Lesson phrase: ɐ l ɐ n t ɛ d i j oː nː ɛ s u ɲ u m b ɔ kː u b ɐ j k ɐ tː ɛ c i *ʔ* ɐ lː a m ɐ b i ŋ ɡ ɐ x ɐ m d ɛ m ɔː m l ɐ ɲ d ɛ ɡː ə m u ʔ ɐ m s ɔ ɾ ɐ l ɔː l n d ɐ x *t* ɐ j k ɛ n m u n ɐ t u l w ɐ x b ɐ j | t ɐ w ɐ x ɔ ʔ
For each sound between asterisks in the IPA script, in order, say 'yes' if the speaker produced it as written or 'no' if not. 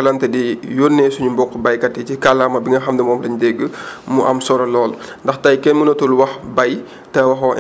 no, yes

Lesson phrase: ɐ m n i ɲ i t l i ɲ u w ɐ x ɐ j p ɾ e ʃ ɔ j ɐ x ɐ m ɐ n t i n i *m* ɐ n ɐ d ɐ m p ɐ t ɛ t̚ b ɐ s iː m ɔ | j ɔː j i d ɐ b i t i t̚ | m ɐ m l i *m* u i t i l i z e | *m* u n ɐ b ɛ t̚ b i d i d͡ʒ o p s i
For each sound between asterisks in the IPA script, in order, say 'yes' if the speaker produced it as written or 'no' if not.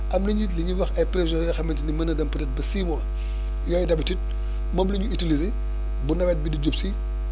yes, no, no

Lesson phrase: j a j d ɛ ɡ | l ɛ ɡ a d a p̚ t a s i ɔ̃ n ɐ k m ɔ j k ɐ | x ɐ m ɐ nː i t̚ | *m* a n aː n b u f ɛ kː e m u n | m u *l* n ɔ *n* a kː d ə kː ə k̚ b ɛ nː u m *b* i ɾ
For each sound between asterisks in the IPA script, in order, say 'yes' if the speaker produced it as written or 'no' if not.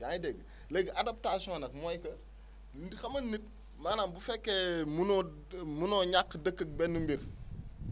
yes, no, no, yes

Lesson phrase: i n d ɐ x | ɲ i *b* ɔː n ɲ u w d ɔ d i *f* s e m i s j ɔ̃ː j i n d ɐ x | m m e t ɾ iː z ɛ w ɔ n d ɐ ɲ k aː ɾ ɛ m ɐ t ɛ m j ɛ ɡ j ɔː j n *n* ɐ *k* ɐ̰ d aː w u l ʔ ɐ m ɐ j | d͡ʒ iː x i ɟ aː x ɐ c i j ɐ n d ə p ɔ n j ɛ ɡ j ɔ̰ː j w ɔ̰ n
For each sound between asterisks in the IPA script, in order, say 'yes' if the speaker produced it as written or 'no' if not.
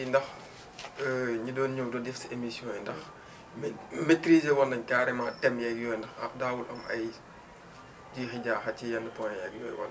no, yes, no, no

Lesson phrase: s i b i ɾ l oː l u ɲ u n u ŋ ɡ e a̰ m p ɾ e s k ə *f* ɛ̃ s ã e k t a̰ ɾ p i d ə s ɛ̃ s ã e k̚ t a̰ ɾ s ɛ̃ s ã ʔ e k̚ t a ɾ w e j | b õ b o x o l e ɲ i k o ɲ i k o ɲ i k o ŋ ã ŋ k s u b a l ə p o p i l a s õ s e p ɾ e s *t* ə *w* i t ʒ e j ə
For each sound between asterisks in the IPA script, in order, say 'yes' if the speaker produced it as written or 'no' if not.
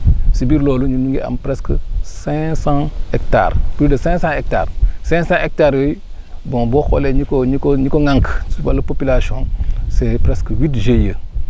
no, no, yes

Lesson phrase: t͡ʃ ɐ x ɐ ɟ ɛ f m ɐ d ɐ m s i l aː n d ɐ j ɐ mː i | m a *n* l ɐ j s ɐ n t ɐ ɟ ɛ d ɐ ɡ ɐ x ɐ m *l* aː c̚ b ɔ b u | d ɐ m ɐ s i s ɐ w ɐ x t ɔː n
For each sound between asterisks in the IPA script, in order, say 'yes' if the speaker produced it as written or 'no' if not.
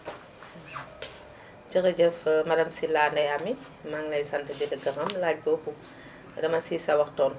no, yes

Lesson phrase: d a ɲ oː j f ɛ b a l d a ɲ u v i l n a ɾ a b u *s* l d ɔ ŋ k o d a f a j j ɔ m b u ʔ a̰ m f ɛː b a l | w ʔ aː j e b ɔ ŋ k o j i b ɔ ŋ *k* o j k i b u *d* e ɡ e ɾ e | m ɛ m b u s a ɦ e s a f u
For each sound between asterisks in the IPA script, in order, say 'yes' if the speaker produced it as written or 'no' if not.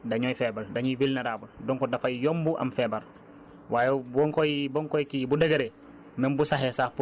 no, yes, yes

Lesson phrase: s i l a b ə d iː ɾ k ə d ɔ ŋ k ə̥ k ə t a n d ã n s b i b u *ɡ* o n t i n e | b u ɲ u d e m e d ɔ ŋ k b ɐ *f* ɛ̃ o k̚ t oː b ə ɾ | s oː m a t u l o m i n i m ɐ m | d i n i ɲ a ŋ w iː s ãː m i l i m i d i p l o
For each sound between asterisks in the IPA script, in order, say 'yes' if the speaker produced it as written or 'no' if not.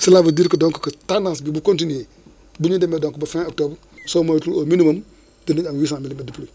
no, yes

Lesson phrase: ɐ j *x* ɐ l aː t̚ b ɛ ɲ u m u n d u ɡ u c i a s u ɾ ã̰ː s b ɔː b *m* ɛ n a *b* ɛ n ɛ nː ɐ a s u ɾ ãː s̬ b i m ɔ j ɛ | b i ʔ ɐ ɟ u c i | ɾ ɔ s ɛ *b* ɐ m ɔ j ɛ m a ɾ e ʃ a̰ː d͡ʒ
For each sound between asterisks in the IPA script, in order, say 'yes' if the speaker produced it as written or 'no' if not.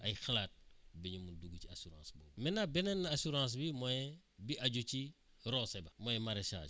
yes, yes, yes, yes

